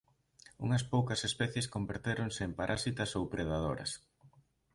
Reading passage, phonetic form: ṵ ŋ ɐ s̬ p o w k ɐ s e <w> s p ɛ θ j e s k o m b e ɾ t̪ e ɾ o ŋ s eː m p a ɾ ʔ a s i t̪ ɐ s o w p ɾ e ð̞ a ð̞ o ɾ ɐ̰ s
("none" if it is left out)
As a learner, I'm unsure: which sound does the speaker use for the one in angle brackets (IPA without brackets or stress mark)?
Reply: none